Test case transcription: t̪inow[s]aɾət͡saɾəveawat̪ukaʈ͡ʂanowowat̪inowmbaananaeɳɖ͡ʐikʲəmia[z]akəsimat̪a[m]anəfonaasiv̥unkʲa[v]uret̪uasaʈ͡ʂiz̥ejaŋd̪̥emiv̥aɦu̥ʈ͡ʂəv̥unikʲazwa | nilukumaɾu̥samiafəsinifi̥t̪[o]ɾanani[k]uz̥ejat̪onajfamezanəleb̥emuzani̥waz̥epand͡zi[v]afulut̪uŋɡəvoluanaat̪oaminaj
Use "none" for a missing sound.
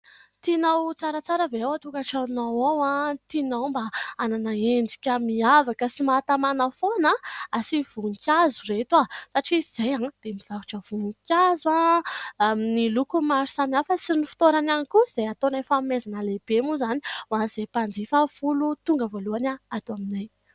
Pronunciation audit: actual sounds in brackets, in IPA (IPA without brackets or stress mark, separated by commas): t͡s, v, m, z, o, k, f